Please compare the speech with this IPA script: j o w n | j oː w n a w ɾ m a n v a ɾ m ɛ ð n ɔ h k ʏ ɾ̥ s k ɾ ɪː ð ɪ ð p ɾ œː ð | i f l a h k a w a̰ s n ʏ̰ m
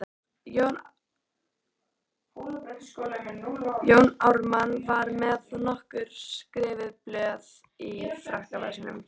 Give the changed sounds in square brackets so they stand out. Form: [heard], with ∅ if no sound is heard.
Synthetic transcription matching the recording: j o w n | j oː w n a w ɾ m a n v a ɾ m ɛ ð n ɔ h k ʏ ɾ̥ s k ɾ ɪː [v] ɪ ð p [l] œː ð | i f [ɾ] a h k a [v] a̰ s n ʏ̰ m